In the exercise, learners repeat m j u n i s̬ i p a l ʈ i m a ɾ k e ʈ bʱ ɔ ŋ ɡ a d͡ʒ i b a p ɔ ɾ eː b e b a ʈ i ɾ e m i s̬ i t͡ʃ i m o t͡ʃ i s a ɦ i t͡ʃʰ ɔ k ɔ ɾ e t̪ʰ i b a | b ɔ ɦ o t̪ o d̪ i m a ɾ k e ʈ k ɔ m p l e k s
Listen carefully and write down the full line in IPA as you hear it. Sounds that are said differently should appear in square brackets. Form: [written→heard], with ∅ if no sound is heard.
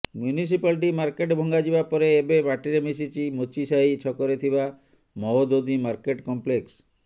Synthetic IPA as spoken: m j u n i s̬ i p a l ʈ i m a ɾ k e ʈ bʱ ɔ ŋ ɡ a d͡ʒ i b a p ɔ ɾ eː b e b a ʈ i ɾ e m i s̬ i t͡ʃ i m o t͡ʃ i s a ɦ i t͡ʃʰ ɔ k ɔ ɾ e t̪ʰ i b a | [b→m] ɔ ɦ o [t̪→d̪] o d̪ i m a ɾ k e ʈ k ɔ m p l e k s

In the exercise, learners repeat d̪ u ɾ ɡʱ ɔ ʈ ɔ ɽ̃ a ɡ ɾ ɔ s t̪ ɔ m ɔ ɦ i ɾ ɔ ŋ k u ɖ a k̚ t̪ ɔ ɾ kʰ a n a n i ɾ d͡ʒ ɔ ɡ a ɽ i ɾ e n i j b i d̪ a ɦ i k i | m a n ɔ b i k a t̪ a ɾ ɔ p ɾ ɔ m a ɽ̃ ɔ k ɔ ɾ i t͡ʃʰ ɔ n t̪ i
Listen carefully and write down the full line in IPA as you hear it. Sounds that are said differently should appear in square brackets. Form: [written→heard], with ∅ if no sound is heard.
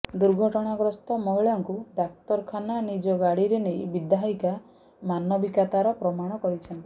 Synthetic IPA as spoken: d̪ u ɾ ɡʱ ɔ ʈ ɔ ɽ̃ a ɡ ɾ ɔ s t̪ ɔ m ɔ ɦ i [ɾ→ɭ] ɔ ŋ k u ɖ a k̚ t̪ ɔ ɾ kʰ a n a n i [ɾ→∅] d͡ʒ ɔ ɡ a ɽ i ɾ e n [i→e] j b i d̪ a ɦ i k [i→a] | m a n ɔ b i k a t̪ a ɾ ɔ p ɾ ɔ m a ɽ̃ ɔ k ɔ ɾ i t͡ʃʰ ɔ n t̪ i

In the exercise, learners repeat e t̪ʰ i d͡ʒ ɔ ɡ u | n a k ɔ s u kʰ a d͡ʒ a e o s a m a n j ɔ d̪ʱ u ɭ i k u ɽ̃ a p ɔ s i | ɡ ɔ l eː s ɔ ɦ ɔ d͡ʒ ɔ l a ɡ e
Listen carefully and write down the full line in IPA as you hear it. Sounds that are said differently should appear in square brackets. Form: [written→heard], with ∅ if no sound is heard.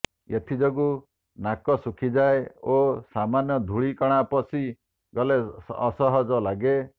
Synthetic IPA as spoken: e t̪ʰ i d͡ʒ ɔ ɡ u | n a k ɔ s u kʰ [a→i] d͡ʒ a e o s a m a n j ɔ d̪ʱ u ɭ i k [u→ɔ] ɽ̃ a p ɔ s i | ɡ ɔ l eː s ɔ ɦ ɔ d͡ʒ ɔ l a ɡ e

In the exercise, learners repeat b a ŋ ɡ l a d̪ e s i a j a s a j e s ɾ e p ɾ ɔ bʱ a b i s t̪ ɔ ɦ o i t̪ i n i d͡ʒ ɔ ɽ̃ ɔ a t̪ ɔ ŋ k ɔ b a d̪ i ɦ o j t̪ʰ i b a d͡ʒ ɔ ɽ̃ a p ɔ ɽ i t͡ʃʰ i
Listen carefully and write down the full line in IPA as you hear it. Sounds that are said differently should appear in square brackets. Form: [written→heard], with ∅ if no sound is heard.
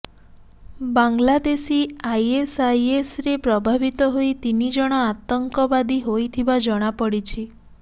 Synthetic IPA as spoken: b a ŋ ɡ l a d̪ e s i a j [a→e] s a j e s ɾ e p ɾ ɔ bʱ a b i [s→∅] t̪ ɔ ɦ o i t̪ i n i d͡ʒ ɔ ɽ̃ ɔ a t̪ ɔ ŋ k ɔ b a d̪ i ɦ o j t̪ʰ i b a d͡ʒ ɔ ɽ̃ a p ɔ ɽ i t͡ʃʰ i

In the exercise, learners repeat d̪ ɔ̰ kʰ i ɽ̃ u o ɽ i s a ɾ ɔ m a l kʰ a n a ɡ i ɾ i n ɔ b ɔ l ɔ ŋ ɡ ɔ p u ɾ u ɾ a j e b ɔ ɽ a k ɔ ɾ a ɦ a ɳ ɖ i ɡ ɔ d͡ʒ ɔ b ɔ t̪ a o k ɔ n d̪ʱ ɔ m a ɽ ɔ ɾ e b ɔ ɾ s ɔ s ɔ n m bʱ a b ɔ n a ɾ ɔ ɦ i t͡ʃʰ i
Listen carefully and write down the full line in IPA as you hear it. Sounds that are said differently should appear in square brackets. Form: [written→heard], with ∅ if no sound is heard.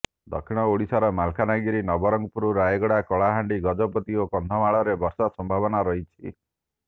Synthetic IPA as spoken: d̪ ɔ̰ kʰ i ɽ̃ [u→ɔ] o ɽ i s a ɾ ɔ m a l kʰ a n a ɡ i ɾ i n ɔ b ɔ [l→ɾ] ɔ ŋ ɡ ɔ p u ɾ u ɾ a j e [b→ɡ] ɔ ɽ a k ɔ [ɾ→ɭ] a ɦ a ɳ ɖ i ɡ ɔ d͡ʒ ɔ [b→p] ɔ t̪ [a→i] o k ɔ n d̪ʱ ɔ m a [ɽ→ɭ] ɔ ɾ e b ɔ ɾ s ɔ s ɔ [n→∅] m bʱ a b ɔ n a ɾ ɔ ɦ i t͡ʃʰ i

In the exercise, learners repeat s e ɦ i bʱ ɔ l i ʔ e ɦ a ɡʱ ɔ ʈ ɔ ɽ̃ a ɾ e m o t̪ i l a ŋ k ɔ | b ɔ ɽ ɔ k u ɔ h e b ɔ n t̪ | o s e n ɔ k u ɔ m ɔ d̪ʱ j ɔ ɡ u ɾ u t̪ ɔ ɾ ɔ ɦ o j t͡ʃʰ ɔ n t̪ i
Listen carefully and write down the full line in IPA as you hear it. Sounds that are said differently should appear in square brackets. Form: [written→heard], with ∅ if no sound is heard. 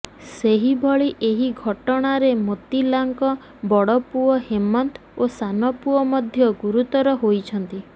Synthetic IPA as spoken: s e ɦ i bʱ ɔ [l→ɭ] i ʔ e ɦ [a→i] ɡʱ ɔ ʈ ɔ ɽ̃ a ɾ e m o t̪ i l a ŋ k ɔ | b ɔ ɽ ɔ [k→p] u ɔ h e [b→m] ɔ n t̪ | o s [e→a] n ɔ [k→p] u ɔ m ɔ d̪ʱ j ɔ ɡ u ɾ u t̪ ɔ ɾ ɔ ɦ o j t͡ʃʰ ɔ n t̪ i

